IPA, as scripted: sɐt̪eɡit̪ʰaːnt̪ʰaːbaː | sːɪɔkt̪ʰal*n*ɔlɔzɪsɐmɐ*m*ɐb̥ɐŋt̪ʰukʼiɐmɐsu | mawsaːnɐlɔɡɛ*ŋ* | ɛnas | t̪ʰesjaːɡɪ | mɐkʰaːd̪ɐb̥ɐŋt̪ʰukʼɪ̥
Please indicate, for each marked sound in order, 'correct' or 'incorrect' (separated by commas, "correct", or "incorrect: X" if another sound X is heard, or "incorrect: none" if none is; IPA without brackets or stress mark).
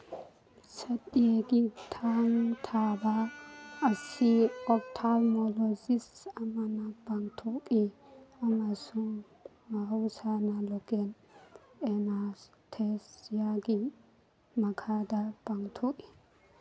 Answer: incorrect: m, incorrect: n, incorrect: n